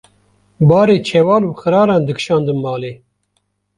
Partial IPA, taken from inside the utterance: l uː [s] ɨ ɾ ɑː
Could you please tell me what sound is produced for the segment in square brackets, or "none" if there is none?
x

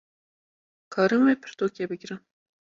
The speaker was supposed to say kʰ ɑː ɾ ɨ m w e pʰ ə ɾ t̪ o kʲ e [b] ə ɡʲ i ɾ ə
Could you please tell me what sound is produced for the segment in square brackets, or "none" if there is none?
b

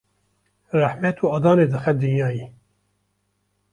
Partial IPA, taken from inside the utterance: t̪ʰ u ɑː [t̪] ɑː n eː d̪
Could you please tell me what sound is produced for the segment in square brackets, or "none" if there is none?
d̪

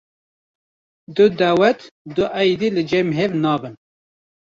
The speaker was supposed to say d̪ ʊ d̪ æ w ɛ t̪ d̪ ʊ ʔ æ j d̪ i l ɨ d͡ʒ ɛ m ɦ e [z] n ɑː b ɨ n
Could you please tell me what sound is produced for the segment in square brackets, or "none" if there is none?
v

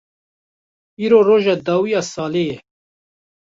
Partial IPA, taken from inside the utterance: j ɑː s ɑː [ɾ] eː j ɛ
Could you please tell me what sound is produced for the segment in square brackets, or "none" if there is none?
l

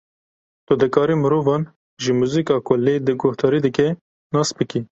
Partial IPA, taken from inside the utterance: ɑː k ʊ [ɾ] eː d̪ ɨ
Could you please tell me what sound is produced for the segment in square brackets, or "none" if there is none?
l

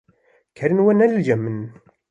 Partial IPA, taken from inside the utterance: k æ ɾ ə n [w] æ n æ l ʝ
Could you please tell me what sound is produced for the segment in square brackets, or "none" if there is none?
w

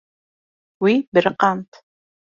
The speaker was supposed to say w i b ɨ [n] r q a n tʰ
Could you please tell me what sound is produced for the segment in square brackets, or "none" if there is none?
none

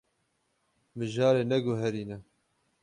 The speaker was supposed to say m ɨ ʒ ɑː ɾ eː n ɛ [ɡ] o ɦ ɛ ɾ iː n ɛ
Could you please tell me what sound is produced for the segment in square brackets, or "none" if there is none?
ɡ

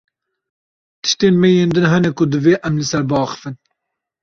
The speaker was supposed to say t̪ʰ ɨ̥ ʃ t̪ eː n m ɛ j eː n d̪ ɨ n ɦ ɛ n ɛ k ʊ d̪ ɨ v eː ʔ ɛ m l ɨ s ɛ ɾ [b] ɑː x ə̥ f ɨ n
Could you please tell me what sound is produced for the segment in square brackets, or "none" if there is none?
b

